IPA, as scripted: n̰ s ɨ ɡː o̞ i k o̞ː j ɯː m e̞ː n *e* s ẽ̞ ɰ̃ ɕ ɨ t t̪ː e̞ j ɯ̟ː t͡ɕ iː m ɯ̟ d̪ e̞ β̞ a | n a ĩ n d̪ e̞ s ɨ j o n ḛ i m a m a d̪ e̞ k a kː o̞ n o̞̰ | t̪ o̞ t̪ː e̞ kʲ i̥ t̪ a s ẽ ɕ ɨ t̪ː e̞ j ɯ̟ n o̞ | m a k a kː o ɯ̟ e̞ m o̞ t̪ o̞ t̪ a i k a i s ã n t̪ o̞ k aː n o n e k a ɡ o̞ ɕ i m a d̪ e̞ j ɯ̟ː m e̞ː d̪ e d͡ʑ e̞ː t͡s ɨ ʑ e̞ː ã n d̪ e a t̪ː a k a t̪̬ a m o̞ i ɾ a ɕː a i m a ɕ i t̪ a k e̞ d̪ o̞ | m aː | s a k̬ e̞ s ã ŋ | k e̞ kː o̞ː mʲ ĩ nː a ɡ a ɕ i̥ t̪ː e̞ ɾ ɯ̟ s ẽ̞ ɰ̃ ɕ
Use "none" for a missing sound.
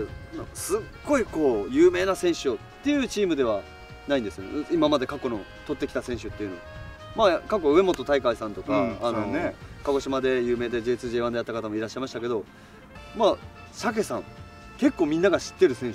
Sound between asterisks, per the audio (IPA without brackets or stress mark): a